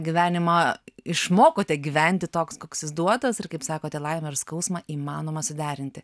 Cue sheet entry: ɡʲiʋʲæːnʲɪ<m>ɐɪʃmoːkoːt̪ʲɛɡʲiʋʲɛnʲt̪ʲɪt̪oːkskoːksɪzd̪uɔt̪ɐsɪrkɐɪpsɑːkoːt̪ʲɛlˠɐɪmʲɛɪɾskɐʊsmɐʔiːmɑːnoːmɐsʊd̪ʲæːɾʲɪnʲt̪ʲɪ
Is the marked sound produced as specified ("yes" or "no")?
yes